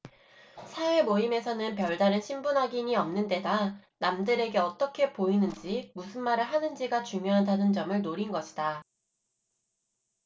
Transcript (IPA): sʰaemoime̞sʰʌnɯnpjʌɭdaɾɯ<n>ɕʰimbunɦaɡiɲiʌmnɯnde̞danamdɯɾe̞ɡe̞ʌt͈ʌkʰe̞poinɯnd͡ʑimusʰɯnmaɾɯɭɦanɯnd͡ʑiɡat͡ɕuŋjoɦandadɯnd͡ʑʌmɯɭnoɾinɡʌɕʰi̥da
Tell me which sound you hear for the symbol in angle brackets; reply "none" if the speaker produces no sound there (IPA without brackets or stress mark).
n